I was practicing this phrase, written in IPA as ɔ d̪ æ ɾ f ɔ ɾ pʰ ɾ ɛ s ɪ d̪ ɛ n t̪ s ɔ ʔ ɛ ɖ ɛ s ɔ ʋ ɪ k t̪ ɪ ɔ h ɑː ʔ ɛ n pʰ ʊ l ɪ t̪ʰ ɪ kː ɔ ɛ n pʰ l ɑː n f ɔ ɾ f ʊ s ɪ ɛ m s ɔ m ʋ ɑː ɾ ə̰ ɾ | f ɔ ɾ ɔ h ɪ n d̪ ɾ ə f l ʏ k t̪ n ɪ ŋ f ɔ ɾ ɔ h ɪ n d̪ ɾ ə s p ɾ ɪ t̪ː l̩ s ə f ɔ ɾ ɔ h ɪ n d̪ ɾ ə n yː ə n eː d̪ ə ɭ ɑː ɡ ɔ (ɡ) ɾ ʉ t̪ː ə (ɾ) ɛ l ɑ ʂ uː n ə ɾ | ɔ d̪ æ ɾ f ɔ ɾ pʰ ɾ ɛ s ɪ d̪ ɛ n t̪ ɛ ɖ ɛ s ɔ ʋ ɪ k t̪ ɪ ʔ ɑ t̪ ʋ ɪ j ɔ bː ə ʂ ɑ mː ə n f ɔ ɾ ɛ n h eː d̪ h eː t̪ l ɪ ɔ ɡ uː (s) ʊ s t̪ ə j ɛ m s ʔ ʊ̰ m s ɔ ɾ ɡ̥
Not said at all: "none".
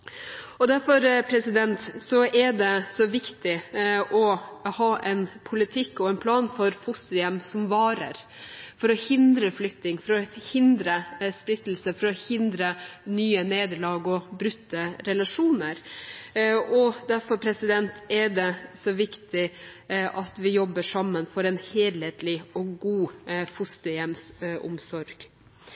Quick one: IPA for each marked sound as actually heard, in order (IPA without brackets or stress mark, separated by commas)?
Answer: b, ɾ, f